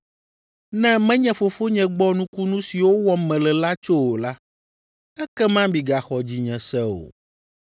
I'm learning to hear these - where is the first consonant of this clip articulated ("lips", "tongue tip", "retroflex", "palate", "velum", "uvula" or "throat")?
tongue tip